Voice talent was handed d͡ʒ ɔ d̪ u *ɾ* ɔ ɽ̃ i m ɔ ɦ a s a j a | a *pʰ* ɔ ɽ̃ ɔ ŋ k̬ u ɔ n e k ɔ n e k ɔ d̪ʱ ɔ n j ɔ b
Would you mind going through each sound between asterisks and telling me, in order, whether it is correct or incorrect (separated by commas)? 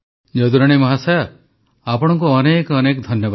correct, incorrect